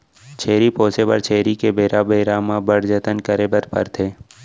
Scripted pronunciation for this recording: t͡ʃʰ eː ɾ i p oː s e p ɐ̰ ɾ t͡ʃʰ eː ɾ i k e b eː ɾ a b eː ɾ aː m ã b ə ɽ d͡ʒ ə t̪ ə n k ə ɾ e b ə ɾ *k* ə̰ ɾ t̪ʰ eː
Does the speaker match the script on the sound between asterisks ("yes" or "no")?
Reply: no